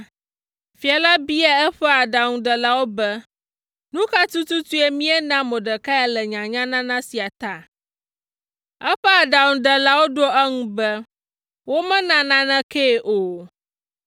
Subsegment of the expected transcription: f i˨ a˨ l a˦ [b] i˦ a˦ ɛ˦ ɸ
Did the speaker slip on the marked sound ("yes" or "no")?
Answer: no